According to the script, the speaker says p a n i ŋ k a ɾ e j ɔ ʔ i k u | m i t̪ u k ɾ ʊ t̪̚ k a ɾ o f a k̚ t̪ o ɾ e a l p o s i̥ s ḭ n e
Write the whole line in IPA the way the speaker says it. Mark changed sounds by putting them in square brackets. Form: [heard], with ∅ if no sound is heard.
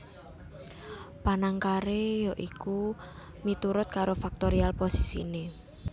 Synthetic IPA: p a n [a] ŋ k a ɾ e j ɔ ʔ i k u | m i t̪ u [∅] ɾ ʊ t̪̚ k a ɾ o f a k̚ t̪ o ɾ [i] a l p o s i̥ s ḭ n e